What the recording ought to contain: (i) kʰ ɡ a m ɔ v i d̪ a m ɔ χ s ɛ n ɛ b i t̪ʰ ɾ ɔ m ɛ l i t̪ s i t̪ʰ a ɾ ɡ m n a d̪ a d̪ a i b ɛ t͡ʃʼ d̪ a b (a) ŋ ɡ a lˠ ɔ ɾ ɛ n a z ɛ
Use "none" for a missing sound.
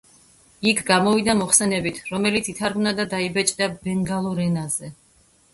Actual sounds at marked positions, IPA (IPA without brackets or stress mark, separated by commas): i, ɛ